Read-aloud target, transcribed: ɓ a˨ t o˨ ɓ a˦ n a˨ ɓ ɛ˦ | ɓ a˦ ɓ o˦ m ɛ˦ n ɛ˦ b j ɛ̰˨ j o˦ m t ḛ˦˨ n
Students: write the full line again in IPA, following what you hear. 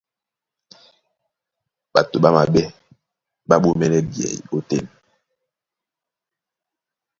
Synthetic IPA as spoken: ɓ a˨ t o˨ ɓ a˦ m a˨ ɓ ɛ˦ | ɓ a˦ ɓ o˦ m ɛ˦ n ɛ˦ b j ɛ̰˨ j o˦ t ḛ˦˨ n